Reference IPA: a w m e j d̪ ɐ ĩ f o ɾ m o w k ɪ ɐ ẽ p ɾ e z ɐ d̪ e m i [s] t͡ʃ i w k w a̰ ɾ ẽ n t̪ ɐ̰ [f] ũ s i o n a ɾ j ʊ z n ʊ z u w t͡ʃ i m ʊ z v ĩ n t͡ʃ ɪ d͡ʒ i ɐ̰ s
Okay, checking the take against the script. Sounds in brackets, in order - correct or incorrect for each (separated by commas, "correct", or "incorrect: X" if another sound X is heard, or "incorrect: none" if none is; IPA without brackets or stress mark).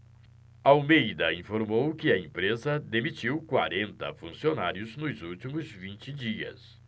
incorrect: none, correct